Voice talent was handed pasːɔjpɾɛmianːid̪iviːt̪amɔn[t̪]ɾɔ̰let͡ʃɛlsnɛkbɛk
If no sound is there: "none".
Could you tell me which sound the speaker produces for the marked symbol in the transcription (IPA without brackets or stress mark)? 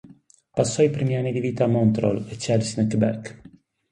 t̪